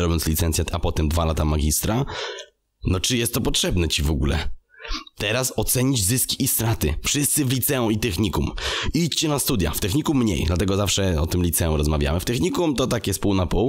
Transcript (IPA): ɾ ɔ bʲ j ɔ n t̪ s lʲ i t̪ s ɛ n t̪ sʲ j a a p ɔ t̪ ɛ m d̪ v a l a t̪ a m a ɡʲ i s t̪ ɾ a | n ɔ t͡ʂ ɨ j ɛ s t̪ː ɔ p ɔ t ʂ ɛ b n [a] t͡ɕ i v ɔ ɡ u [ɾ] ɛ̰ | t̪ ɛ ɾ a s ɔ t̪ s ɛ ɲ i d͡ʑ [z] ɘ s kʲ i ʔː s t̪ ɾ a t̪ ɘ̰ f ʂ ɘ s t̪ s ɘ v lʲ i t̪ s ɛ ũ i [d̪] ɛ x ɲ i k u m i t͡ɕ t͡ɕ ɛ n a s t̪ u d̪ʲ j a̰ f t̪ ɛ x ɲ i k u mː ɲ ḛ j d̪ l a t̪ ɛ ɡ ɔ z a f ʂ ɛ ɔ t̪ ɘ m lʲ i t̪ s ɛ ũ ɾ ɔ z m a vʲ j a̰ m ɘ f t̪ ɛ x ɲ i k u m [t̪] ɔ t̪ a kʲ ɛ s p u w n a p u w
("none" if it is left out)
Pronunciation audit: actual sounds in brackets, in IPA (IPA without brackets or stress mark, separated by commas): ɛ, l, z, t̪, t̪